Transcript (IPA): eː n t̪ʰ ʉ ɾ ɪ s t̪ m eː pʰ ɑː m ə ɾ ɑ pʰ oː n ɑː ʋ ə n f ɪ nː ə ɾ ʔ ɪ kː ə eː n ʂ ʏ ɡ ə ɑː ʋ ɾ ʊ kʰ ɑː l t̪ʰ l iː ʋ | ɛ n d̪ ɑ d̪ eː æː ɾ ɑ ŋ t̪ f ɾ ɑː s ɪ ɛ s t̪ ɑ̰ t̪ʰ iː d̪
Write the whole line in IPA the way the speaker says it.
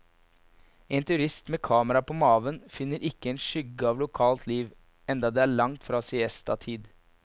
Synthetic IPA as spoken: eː n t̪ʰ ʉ ɾ ɪ s t̪ m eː kʰ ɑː m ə ɾ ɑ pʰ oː m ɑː ʋ ə n f ɪ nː ə ɾ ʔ ɪ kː ə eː n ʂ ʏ ɡ ə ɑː ʋ l ʊ kʰ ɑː l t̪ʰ l iː ʋ | ɛ n d̪ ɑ d̪ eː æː ɭ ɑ ŋ t̪ f ɾ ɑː s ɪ ɛ s t̪ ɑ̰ t̪ʰ iː d̪